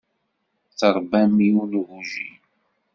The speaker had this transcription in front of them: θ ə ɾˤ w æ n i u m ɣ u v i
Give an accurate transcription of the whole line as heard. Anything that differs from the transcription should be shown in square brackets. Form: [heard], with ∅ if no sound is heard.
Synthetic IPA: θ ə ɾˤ [b] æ [m] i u [n] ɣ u [ʒ] i